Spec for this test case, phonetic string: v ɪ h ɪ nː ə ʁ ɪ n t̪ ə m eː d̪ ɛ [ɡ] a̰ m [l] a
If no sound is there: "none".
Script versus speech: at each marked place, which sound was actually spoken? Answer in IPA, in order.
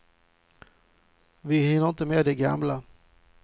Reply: ɡ, l

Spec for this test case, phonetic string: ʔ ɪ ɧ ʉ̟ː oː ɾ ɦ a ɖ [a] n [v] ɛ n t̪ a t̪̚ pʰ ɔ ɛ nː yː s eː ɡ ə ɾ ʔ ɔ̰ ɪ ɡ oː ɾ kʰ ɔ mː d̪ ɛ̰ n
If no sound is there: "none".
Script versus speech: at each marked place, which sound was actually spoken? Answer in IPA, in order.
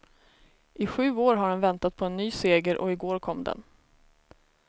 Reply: ɛ, v

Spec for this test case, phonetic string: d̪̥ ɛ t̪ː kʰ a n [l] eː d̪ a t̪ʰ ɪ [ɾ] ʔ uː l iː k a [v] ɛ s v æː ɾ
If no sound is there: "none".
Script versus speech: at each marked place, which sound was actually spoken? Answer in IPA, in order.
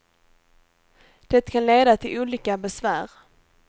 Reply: l, l, b

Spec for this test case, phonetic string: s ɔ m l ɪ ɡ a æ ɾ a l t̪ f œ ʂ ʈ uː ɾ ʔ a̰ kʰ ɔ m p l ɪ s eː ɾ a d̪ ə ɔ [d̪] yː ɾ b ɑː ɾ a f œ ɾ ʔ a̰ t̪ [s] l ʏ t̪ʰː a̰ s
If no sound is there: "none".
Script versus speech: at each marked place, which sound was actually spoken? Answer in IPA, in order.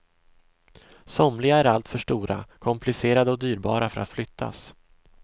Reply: d̪, f

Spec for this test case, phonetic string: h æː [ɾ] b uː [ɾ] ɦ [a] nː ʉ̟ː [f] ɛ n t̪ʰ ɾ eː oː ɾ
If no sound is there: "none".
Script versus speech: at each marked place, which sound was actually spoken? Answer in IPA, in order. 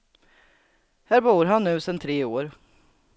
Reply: ɾ, ɾ, a, s

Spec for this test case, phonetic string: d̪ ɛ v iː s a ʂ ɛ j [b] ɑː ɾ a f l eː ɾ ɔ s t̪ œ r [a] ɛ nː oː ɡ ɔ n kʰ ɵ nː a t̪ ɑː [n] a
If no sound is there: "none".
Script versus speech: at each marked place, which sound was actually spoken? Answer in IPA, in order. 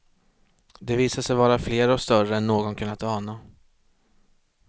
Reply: v, ə, n

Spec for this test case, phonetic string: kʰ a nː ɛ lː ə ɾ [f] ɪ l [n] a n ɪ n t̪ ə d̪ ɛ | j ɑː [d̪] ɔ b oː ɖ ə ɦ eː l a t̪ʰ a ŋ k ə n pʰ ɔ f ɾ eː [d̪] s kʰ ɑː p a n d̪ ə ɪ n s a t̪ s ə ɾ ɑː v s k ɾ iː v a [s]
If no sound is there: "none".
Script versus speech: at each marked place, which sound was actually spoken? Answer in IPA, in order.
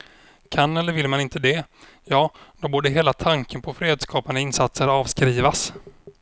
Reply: v, m, d̪, d̪, s

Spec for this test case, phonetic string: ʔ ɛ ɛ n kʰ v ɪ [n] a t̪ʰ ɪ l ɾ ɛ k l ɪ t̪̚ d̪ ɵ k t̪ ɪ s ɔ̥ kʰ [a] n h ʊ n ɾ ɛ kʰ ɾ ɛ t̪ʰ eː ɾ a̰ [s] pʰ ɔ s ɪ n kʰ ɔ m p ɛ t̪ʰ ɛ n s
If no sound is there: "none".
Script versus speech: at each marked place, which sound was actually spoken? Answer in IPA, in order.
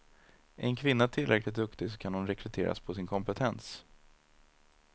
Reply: nː, a, s

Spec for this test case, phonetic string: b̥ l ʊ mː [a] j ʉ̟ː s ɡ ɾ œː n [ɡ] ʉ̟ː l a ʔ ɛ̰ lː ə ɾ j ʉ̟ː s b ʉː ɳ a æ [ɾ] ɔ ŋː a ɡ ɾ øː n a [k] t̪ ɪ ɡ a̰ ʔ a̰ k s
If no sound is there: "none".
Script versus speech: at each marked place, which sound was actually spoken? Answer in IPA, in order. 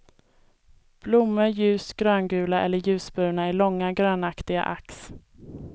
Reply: ə, ɡ, ɭ, k

